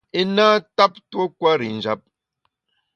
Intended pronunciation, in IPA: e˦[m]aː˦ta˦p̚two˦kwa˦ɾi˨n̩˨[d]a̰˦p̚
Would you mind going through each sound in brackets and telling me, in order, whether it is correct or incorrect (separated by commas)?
incorrect, incorrect